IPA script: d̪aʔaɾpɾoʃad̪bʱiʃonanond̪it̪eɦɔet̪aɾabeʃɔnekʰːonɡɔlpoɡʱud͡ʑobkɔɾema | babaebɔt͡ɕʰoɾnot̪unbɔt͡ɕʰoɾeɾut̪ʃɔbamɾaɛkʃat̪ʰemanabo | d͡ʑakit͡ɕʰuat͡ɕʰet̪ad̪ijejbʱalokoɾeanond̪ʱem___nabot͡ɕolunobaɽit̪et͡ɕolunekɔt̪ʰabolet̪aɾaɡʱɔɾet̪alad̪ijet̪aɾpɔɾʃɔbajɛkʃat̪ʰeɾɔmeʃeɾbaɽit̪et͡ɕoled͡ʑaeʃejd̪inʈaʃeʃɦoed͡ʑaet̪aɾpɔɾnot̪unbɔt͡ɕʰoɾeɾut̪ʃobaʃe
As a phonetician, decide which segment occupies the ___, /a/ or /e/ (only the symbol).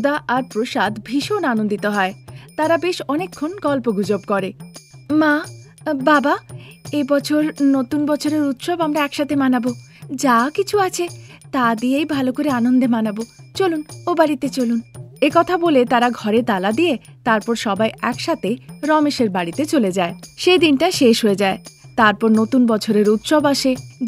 a